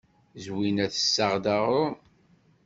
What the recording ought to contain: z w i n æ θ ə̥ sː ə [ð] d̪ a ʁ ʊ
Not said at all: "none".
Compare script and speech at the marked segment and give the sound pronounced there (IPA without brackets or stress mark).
ʁ